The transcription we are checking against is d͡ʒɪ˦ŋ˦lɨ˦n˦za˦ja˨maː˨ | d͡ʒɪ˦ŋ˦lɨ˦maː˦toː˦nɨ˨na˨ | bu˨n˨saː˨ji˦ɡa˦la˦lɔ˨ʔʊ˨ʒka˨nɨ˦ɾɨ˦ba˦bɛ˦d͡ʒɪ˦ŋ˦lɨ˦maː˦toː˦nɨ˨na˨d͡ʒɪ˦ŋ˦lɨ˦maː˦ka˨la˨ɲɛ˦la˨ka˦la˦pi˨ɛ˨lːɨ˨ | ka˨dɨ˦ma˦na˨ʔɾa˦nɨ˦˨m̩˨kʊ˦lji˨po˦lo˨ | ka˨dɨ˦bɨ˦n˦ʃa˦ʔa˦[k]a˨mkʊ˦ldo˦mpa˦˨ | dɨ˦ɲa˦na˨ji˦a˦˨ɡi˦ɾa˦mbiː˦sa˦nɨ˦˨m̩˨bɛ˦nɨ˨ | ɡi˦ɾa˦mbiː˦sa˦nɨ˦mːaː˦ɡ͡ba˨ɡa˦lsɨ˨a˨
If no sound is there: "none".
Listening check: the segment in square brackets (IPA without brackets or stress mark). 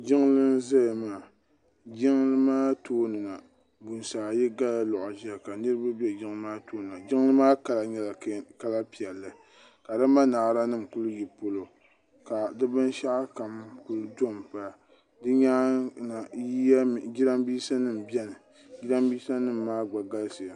k